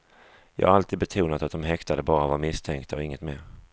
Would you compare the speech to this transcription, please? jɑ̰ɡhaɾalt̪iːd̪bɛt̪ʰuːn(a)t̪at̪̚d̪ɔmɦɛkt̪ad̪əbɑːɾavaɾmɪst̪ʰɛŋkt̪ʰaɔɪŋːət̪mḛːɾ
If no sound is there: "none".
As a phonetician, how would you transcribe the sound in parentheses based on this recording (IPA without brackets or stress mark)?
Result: a